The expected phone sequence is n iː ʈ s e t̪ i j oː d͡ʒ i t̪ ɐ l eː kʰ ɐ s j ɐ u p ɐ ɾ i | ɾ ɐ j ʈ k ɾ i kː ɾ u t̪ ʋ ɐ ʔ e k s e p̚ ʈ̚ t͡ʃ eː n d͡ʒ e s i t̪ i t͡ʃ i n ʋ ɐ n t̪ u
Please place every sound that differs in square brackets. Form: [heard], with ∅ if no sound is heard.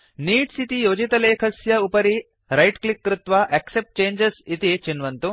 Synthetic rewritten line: n iː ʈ s [i] t̪ i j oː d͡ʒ i t̪ ɐ l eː kʰ ɐ s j ɐ u p ɐ ɾ i | ɾ ɐ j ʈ k [l] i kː ɾ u t̪ ʋ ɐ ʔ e k s e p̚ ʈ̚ t͡ʃ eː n d͡ʒ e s i t̪ i t͡ʃ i n ʋ ɐ n t̪ u